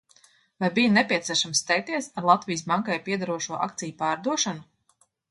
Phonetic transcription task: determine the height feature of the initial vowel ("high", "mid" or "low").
low